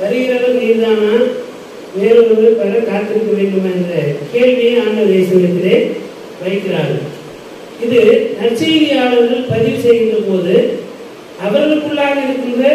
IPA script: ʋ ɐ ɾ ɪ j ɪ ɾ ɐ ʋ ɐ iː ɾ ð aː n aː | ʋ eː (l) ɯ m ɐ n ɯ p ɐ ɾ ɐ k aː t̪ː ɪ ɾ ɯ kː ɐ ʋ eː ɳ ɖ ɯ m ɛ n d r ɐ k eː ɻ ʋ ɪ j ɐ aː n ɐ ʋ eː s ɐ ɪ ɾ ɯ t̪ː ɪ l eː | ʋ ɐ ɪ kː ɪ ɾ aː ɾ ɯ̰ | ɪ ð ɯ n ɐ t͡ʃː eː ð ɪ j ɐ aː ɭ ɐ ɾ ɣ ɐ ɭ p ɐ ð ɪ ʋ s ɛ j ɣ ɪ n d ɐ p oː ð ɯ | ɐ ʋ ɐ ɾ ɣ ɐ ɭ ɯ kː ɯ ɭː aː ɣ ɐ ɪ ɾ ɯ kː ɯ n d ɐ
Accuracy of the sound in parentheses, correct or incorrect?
incorrect